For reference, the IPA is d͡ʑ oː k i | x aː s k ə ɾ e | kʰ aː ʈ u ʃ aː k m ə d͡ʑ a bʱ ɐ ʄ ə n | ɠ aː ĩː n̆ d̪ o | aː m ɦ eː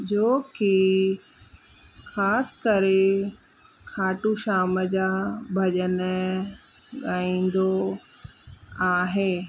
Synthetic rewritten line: d͡ʑ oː k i | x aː s k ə ɾ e | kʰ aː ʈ u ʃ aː m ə d͡ʑ a bʱ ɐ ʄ ə n | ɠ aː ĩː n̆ d̪ o | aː ɦ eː